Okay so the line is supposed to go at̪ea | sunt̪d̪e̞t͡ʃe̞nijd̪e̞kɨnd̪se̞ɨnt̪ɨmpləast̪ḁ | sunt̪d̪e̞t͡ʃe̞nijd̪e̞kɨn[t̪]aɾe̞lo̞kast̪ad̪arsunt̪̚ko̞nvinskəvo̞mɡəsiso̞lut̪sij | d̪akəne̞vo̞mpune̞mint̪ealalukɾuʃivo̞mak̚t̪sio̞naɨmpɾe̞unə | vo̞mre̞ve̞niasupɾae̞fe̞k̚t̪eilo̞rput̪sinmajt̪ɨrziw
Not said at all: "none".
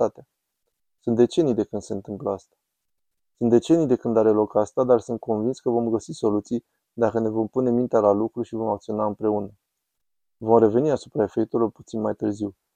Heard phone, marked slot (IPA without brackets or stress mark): d̪